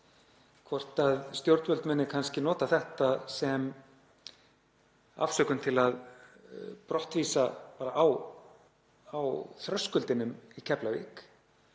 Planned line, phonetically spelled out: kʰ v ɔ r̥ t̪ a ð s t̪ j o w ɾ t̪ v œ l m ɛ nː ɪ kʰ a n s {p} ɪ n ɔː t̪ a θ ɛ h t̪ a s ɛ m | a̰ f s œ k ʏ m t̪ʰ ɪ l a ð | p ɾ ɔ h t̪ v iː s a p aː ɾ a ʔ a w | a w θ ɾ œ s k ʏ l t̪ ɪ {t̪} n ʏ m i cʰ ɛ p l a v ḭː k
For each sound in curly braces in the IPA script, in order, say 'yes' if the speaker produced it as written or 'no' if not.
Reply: no, no

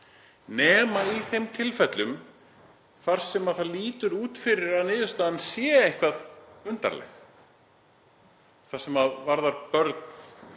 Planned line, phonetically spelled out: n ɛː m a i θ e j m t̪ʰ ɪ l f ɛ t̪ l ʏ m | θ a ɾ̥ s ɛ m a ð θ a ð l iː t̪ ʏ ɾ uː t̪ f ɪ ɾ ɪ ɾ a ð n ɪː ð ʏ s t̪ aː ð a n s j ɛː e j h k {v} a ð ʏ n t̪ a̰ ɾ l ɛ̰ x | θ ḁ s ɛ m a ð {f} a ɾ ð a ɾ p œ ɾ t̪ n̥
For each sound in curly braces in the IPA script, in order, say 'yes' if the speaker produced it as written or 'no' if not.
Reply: yes, no

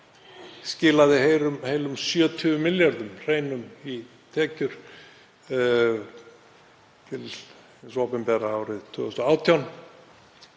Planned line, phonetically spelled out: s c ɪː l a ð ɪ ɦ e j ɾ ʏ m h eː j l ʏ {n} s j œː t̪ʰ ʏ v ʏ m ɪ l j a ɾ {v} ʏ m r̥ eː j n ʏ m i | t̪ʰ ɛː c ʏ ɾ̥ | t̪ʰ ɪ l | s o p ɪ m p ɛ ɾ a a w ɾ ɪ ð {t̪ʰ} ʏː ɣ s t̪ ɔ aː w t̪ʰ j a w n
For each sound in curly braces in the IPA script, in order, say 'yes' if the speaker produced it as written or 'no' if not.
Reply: no, no, yes

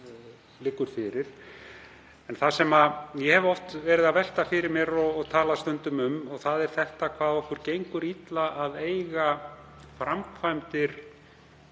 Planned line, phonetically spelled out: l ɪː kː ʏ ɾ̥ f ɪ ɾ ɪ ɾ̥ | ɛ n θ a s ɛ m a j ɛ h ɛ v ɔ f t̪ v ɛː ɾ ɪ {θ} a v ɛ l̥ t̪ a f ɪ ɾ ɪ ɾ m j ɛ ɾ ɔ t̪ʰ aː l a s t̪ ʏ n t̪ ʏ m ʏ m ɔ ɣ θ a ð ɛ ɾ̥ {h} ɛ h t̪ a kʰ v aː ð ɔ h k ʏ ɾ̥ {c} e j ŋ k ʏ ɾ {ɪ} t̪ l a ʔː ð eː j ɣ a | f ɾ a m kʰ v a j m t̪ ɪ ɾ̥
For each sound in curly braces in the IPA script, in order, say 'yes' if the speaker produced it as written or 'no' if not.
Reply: no, no, yes, no

